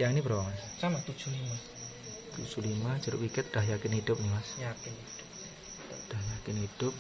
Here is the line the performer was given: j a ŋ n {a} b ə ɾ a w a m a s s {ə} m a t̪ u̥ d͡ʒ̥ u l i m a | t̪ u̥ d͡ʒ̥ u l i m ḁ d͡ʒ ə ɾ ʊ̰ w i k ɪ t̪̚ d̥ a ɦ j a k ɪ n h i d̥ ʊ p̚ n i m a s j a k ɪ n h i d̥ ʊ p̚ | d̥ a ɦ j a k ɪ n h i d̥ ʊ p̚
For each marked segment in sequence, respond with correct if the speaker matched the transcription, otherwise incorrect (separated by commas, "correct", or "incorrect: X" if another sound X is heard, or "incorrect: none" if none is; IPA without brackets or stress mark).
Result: incorrect: i, incorrect: a